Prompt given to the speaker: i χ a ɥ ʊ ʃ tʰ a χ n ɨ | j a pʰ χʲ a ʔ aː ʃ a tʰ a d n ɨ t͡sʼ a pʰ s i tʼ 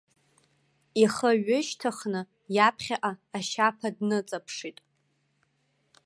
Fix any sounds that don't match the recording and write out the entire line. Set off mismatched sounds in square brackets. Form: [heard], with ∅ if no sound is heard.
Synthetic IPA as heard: i χ [ə] ɥ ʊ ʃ tʰ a χ n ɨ | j a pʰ χʲ a ʔ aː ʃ a [pʰ] a d n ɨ t͡sʼ a pʰ [ʂ] i tʼ